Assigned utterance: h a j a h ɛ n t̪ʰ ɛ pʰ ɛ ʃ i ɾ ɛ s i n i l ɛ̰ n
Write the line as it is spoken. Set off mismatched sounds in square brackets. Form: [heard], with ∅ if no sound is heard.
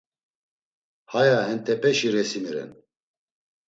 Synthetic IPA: h a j a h ɛ n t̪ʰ ɛ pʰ ɛ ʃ i ɾ ɛ s i [m] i [ɾ] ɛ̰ n